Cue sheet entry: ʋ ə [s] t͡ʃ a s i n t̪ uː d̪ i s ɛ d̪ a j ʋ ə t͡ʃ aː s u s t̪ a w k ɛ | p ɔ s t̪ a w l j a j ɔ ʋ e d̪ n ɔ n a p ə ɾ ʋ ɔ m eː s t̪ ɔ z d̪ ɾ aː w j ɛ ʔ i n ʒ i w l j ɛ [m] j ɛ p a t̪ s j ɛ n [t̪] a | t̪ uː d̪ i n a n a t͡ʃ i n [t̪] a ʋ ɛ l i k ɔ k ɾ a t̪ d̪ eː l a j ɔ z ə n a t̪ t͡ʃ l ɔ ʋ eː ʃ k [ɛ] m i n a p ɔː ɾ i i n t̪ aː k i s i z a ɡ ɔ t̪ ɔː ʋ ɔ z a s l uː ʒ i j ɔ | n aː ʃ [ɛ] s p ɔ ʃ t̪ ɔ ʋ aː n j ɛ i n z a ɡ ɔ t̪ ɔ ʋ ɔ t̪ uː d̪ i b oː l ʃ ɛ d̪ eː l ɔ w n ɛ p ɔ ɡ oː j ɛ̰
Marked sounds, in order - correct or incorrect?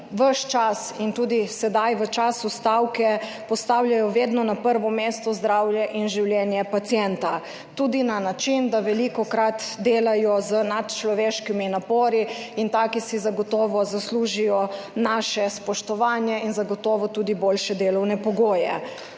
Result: incorrect: ʃ, incorrect: n, correct, incorrect: d̪, incorrect: i, correct

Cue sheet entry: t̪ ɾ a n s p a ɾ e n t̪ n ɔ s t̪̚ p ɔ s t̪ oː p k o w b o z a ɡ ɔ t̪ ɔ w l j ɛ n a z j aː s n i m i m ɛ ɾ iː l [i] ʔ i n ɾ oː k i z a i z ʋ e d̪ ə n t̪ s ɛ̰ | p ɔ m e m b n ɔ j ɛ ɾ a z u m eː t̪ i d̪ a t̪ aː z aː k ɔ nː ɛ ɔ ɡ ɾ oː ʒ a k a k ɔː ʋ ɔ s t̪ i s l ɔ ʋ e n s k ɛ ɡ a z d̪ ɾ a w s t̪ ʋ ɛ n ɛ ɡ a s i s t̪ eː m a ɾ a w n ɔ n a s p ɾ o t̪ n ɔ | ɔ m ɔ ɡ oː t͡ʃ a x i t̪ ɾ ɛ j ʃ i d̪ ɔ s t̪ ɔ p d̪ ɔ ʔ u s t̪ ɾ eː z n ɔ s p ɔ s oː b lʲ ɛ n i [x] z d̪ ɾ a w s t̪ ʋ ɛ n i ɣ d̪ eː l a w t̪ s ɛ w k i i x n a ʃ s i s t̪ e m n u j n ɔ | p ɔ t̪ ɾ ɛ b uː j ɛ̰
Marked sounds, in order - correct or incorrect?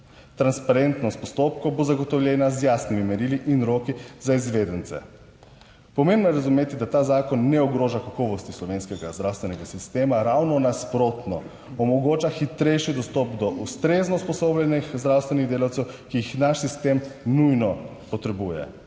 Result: correct, correct

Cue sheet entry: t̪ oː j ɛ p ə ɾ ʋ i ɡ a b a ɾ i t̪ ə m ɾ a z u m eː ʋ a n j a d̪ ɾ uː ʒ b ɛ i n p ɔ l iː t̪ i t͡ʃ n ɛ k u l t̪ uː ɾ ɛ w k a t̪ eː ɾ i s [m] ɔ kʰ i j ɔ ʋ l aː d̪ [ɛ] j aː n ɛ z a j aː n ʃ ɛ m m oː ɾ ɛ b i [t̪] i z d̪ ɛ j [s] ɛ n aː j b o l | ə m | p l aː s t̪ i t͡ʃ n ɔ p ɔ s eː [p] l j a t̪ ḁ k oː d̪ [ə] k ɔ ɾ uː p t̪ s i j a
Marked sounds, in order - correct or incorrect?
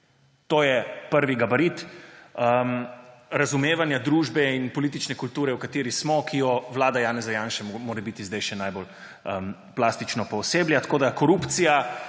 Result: correct, incorrect: a, correct, incorrect: ʃ, incorrect: b, incorrect: a

